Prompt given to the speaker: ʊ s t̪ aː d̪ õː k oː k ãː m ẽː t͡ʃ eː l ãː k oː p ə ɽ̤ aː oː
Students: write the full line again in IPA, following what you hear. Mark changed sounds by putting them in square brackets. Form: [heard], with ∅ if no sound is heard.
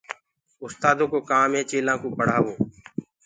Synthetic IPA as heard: ʊ s t̪ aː d̪ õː k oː k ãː m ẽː t͡ʃ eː l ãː k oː p ə ɽ̤ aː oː